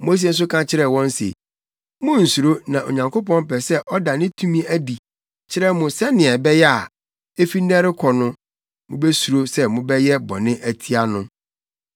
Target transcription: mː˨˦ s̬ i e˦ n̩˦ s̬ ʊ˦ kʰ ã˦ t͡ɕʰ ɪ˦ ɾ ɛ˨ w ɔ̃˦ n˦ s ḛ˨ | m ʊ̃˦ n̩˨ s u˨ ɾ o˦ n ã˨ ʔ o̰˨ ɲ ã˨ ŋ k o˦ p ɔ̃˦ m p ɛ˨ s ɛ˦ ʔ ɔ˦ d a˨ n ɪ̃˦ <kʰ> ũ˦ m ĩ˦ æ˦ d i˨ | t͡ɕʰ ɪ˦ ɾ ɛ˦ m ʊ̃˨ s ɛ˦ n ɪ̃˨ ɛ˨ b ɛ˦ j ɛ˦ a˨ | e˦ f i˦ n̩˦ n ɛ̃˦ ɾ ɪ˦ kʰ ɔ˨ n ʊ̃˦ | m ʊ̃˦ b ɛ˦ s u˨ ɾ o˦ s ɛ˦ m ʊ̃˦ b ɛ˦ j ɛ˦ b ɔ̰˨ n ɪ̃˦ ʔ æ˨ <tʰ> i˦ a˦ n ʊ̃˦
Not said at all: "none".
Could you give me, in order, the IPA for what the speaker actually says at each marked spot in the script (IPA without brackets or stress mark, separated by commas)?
tʰ, tʰ